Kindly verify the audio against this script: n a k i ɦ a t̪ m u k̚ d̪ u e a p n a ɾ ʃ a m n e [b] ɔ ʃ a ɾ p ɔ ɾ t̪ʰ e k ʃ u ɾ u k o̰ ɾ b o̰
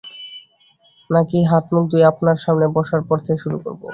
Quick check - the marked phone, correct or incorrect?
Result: correct